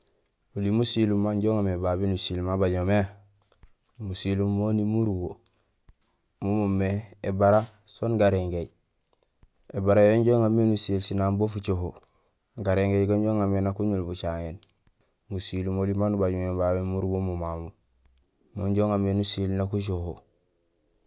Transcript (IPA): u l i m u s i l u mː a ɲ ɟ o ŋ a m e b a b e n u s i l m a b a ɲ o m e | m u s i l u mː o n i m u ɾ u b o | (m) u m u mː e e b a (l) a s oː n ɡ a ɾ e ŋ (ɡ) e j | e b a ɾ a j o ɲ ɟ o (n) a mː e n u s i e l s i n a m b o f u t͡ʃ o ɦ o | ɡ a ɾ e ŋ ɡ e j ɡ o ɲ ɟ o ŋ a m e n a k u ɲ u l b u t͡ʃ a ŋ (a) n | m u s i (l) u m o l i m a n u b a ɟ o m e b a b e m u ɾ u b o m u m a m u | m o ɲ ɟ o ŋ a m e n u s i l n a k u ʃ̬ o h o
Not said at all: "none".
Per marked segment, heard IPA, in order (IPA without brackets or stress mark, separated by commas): m, ɾ, ɡ, ŋ, e, l